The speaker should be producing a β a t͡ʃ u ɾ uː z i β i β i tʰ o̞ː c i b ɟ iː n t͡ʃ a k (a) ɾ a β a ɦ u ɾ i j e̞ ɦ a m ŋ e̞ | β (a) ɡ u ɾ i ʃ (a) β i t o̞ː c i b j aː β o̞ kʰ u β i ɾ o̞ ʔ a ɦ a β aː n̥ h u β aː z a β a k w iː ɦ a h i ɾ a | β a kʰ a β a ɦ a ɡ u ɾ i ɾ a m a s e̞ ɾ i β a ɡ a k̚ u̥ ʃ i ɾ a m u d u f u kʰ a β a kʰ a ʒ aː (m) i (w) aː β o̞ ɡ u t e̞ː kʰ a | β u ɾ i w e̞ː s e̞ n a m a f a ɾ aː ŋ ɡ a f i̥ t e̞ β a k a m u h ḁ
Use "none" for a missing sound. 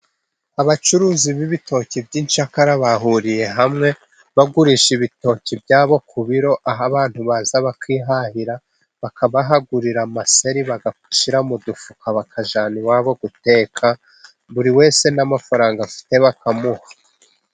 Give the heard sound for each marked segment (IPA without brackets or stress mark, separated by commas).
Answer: a, a, i, n, w